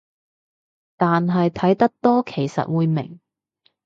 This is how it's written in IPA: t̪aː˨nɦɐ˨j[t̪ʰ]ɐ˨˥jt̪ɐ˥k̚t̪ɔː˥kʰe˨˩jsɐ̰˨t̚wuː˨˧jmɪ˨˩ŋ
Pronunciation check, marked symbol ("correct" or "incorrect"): correct